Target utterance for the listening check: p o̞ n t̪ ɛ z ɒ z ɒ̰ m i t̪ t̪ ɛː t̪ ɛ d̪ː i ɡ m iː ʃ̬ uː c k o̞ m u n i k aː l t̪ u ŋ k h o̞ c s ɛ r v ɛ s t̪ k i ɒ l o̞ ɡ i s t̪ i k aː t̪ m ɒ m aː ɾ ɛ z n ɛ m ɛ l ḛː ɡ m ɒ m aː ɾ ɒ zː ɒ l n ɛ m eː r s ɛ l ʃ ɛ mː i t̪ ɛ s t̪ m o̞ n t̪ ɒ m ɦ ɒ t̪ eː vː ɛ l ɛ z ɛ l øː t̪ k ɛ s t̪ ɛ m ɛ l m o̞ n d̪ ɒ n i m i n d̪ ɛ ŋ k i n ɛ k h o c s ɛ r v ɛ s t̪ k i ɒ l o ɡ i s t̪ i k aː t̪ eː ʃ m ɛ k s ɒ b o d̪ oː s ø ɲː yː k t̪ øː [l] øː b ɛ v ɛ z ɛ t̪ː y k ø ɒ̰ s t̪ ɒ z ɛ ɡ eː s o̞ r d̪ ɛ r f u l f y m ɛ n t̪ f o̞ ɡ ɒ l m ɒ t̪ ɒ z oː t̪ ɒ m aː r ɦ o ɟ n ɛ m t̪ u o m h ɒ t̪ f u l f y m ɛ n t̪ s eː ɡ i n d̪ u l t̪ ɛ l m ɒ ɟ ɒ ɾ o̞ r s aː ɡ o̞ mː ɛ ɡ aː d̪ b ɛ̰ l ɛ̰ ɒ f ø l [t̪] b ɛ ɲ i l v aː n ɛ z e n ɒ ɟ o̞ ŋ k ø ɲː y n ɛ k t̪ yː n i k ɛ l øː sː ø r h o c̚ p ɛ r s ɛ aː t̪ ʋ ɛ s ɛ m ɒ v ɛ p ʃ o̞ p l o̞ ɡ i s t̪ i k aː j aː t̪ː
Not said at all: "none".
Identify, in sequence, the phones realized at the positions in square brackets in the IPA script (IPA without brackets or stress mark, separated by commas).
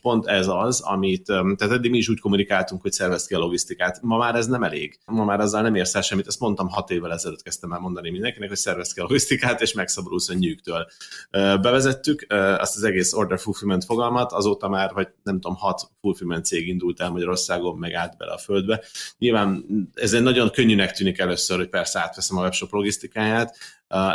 l, d̪